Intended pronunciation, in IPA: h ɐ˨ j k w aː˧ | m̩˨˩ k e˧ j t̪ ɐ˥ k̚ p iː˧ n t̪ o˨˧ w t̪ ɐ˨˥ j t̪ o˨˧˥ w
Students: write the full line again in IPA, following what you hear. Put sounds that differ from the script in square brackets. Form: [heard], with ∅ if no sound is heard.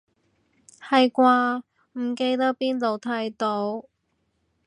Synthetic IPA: h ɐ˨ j k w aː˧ | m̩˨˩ k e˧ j t̪ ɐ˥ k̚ p [iː˥] n t̪ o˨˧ w [t̪ʰ] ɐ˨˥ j t̪ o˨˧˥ w